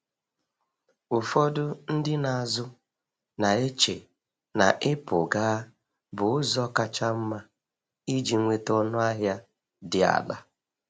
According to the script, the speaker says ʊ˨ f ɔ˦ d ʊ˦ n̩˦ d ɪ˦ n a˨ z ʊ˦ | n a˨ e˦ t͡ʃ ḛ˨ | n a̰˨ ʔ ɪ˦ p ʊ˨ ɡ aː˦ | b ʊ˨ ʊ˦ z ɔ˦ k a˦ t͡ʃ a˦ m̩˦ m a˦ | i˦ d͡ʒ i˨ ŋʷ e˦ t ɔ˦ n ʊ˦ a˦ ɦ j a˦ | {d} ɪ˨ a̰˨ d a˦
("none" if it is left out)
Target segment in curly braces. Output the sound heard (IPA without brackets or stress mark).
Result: d